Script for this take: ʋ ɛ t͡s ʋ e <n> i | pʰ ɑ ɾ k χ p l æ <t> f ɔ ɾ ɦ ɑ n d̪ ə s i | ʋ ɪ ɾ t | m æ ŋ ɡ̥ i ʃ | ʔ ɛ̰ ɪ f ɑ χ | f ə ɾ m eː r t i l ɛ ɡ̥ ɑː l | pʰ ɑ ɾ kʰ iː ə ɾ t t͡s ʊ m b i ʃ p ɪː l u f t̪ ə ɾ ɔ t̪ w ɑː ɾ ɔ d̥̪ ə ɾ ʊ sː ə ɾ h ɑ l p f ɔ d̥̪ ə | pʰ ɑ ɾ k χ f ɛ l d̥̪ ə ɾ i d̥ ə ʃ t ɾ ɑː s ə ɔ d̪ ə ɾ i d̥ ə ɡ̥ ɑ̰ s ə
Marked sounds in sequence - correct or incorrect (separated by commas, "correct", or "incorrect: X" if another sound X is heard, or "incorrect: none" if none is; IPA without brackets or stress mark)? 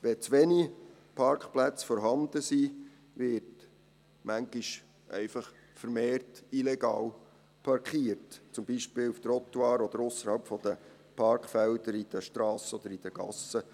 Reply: correct, incorrect: t͡s